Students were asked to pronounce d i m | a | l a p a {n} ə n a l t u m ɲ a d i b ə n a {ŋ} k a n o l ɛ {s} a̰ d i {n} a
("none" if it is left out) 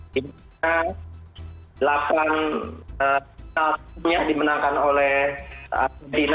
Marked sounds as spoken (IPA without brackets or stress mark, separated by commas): n, ŋ, h, n